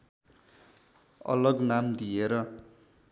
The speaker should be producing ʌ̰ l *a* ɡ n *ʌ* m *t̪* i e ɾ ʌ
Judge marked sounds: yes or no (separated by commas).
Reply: no, no, no